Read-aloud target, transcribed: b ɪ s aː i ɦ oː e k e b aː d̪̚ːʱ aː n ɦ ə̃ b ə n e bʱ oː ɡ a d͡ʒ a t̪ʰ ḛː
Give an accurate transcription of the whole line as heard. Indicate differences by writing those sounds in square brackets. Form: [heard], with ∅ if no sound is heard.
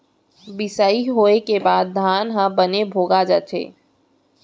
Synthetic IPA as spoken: b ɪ s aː i ɦ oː e k e b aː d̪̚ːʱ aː n ɦ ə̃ b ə n e bʱ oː ɡ a d͡ʒ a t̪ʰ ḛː